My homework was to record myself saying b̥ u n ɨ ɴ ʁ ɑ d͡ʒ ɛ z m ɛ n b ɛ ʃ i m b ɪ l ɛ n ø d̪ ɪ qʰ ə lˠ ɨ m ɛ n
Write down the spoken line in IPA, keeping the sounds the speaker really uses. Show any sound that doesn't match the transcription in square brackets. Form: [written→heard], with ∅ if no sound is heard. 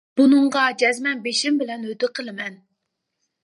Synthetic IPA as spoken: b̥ u n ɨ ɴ ʁ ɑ d͡ʒ ɛ z m ɛ n b [ɛ→e] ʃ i m b ɪ l ɛ n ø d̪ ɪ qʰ ə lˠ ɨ m ɛ n

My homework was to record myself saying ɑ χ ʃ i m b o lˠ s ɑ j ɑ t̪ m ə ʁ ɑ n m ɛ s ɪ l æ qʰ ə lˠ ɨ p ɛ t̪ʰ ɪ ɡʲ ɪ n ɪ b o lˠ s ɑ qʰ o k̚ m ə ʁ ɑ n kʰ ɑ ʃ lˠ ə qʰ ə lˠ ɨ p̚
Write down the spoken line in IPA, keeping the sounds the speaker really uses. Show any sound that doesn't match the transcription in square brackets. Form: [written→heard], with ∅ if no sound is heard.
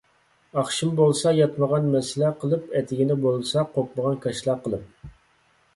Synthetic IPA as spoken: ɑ χ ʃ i m b o lˠ s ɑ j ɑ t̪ m ə ʁ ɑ n m ɛ s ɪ l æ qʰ ə lˠ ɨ p ɛ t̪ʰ ɪ ɡʲ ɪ n ɪ b o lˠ s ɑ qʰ o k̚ m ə ʁ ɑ n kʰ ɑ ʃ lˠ [ə→ɑ] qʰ ə lˠ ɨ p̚

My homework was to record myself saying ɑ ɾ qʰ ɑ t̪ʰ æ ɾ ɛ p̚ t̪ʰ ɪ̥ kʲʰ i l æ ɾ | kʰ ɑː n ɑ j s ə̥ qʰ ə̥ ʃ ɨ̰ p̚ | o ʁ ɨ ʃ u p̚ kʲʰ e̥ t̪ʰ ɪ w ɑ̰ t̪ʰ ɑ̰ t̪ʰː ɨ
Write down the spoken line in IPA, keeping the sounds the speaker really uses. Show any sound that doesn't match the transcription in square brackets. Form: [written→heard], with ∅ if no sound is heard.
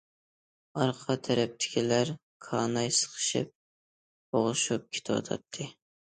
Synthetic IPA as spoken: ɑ ɾ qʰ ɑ t̪ʰ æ ɾ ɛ p̚ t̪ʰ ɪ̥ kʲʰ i l æ ɾ | kʰ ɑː n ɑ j s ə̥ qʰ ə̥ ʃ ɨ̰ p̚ | o ʁ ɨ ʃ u p̚ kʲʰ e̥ t̪ʰ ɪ w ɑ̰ t̪ʰ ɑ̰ t̪ʰː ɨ

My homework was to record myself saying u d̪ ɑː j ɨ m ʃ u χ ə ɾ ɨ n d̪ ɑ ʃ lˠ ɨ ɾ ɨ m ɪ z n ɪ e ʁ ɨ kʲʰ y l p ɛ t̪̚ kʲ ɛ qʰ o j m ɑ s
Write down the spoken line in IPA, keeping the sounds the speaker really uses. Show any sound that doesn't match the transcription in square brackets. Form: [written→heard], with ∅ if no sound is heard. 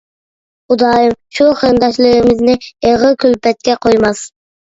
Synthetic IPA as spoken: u d̪ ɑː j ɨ m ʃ u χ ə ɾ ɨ n d̪ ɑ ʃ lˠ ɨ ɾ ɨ m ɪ z n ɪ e ʁ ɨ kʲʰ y l p ɛ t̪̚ kʲ ɛ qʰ o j m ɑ s

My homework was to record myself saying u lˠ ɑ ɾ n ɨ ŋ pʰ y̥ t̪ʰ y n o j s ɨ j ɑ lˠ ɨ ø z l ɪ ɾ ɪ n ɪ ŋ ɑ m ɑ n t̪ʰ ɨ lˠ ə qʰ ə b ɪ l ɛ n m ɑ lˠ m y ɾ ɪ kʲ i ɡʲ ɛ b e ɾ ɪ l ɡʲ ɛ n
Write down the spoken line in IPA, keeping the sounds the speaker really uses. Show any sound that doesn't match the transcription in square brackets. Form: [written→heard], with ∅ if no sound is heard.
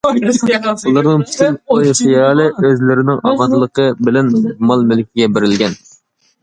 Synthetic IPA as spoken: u lˠ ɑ ɾ n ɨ ŋ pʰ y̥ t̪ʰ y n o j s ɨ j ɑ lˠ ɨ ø z l ɪ ɾ ɪ n ɪ ŋ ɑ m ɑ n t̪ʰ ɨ lˠ ə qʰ ə b ɪ l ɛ n m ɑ lˠ m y [ɾ→l] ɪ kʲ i ɡʲ ɛ b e ɾ ɪ l ɡʲ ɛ n

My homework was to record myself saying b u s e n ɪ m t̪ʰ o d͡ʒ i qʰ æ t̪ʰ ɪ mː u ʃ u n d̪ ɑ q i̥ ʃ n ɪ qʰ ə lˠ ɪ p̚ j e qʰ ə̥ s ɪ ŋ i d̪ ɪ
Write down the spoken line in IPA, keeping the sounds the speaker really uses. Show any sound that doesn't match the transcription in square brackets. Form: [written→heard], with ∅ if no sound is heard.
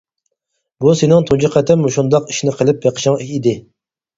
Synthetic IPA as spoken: b u s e n ɪ [m→ŋ] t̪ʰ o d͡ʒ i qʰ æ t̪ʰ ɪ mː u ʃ u n d̪ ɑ q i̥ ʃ n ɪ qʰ ə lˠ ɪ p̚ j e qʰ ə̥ [s→ʃ] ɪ ŋ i d̪ ɪ

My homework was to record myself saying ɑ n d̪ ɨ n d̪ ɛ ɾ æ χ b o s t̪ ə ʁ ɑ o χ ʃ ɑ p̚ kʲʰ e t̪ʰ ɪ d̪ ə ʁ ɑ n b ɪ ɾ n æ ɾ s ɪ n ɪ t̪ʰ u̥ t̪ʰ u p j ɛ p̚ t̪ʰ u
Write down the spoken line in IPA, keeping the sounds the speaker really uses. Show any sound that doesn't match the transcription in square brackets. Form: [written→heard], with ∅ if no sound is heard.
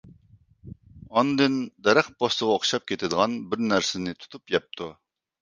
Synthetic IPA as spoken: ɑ n d̪ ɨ n d̪ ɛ ɾ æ χ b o s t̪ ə ʁ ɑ o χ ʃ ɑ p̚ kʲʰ e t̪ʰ ɪ d̪ ə ʁ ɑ n b ɪ ɾ n æ ɾ s ɪ n ɪ t̪ʰ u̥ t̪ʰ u p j ɛ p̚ t̪ʰ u

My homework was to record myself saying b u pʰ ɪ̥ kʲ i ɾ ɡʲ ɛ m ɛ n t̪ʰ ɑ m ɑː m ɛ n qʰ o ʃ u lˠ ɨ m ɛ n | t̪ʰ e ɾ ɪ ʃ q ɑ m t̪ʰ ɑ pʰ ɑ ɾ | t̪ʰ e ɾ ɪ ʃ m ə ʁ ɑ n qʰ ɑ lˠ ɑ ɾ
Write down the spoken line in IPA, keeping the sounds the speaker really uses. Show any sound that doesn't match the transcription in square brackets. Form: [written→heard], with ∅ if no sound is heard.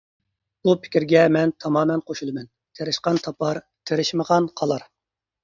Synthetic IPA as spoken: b u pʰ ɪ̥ kʲ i ɾ ɡʲ ɛ m ɛ n t̪ʰ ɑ m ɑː m ɛ n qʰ o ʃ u lˠ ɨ m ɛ n | t̪ʰ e ɾ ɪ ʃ q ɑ [m→n] t̪ʰ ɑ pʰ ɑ ɾ | t̪ʰ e ɾ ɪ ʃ m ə ʁ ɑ n qʰ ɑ lˠ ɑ ɾ

